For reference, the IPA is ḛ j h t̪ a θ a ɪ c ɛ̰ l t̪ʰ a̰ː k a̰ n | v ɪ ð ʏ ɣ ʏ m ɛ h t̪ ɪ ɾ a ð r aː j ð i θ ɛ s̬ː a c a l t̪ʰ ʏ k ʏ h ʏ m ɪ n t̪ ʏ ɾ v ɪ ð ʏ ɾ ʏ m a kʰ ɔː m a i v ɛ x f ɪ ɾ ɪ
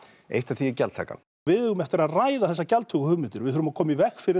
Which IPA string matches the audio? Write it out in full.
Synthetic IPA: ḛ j h t̪ a θ i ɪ c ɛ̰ l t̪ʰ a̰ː k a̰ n | v ɪ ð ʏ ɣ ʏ m ɛ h t̪ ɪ ɾ a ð r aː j ð a θ ɛ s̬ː a c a l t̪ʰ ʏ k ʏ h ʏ m ɪ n t̪ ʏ ɾ v ɪ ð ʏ ɾ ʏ m a kʰ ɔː m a i v ɛ x f ɪ ɾ ɪ

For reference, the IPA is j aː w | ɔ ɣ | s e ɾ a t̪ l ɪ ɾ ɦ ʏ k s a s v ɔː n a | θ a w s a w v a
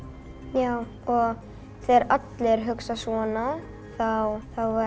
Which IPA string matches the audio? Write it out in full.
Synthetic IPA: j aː w | ɔ ɣ | θ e ɾ a t̪ l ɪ ɾ ɦ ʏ k s a s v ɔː n a | θ a w θ a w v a

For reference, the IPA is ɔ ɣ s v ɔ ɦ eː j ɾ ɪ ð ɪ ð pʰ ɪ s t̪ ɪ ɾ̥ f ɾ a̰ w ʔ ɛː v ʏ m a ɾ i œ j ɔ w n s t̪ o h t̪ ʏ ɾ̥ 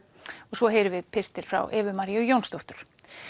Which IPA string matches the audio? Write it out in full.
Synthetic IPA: ɔ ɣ s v ɔ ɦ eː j ɾ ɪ v ɪ ð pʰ ɪ s t̪ ɪ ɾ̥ f ɾ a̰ w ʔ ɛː v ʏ m a ɾ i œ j o w n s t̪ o h t̪ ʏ ɾ̥

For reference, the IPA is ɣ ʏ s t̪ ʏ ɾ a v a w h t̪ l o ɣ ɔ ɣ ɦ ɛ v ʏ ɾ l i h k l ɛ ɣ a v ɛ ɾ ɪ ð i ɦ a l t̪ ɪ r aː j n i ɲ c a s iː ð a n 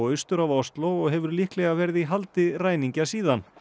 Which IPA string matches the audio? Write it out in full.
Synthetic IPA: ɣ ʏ s t̪ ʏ ɾ a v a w s t̪ l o ɣ ɔ ɣ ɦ ɛ v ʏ ɾ l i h k l ɛ ɣ a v ɛ ɾ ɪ ð i ɦ a l t̪ ɪ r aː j n i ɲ c a s iː ð a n

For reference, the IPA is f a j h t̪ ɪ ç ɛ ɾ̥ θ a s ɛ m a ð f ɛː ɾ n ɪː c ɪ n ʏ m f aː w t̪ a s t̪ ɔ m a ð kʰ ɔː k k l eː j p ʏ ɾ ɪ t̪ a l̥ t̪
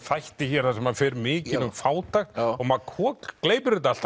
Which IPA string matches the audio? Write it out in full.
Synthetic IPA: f a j h t̪ ɪ ç ɛ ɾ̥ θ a s ɛ m a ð f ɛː ɾ m ɪː c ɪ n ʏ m f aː w t̪ a x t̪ ɔ m a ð kʰ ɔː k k l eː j p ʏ ɾ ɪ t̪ a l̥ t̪

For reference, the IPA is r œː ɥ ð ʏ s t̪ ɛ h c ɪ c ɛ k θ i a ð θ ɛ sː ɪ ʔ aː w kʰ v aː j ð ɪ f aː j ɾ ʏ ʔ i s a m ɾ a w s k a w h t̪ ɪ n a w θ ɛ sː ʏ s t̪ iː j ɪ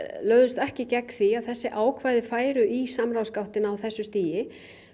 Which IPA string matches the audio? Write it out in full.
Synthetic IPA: l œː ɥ ð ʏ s t̪ ɛ h c ɪ c ɛ k θ i a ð θ ɛ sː ɪ ʔ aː w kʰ v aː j ð ɪ f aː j ɾ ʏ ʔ i s a m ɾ a w s k a w h t̪ ɪ n a w θ ɛ sː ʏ s t̪ iː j ɪ

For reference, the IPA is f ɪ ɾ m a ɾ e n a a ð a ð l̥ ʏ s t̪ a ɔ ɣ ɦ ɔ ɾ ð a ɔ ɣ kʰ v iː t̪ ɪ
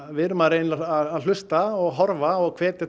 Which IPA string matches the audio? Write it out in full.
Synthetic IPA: v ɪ ɾ m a ɾ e n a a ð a ð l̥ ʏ s t̪ a ɔ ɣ ɦ ɔ ɾ v a ɔ ɣ kʰ v ɛː t̪ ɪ

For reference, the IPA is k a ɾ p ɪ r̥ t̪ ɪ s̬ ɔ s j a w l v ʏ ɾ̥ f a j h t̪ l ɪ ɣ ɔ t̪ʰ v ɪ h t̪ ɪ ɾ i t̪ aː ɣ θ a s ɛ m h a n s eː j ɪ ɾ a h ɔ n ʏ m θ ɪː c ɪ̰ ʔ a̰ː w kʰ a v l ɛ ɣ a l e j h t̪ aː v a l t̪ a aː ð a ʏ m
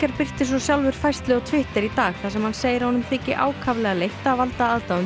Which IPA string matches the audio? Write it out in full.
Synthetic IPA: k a ɾ p ɪ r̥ t̪ ɪ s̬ ɔ s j a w l v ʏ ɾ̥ f a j s t̪ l ɪ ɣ ɔ t̪ʰ v ɪ h t̪ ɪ ɾ i t̪ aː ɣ θ a s ɛ m h a n s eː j ɪ ɾ a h ɔ n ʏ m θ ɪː c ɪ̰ ʔ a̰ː w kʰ a v l ɛ ɣ a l e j h t̪ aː v a l t̪ a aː ð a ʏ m

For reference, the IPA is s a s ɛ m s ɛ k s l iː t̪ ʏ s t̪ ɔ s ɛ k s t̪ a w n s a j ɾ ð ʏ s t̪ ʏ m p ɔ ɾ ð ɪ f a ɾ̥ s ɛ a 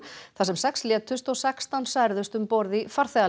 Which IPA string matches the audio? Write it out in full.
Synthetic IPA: θ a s ɛ m s ɛ k s l ɛː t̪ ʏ s t̪ ɔ s ɛ k s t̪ a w n s a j ɾ ð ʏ s t̪ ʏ m p ɔ ɾ ð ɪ f a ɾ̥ θ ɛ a

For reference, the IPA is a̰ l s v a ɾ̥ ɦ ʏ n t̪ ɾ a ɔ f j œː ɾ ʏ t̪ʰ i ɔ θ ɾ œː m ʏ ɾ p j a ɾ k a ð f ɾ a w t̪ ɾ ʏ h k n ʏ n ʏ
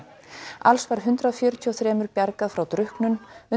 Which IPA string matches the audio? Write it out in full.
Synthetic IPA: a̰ l s v a ɾ̥ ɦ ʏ n t̪ ɾ a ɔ f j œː ɾ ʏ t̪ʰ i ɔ θ ɾ ɛː m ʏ ɾ p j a ɾ k a ð f ɾ a w t̪ ɾ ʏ h k n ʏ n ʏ

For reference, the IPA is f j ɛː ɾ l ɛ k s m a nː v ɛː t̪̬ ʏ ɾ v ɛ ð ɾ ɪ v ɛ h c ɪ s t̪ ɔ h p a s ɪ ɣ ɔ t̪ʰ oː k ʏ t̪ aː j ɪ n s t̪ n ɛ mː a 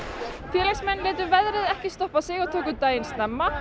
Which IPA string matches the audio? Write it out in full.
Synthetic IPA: f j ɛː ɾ l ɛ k s m ɛ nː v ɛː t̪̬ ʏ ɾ v ɛ ð ɾ ɪ ð ɛ h c ɪ s t̪ ɔ h p a s ɪ ɣ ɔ t̪ʰ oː k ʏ t̪ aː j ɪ n s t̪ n ɛ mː a

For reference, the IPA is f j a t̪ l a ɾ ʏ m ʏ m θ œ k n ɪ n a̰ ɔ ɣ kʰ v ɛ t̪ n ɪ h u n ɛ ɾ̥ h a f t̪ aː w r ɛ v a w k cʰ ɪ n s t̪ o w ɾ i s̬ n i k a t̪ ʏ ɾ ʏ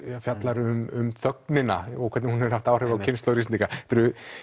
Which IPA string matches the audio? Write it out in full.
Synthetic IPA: f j a t̪ l a ɾ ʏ m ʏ m θ œ k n ɪ n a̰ ɔ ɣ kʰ v ɛ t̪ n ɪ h u n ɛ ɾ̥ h a f t̪ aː w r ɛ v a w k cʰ ɪ n s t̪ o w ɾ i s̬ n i k a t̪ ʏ ɾ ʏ

